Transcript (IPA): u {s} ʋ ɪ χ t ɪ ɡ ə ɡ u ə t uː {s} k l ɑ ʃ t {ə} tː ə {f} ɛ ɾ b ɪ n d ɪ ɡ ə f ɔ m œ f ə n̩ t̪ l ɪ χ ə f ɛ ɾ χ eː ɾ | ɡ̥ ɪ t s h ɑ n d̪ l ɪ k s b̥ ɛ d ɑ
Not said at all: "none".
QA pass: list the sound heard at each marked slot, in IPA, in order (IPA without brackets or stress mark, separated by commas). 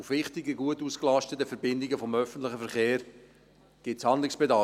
f, s, ə, f